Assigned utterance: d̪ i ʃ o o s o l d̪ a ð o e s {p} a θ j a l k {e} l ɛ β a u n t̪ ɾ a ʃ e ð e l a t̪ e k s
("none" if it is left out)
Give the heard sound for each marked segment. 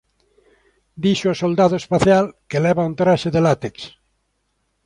p, e

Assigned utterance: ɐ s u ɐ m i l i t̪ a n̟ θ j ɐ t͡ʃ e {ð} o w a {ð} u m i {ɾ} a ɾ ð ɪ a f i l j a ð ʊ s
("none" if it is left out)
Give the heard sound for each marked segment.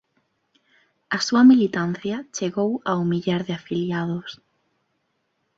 ɣ, none, ʎ

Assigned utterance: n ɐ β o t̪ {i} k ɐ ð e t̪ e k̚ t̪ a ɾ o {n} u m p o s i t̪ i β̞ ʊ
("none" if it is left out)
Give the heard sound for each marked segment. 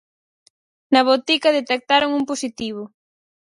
i, ŋ

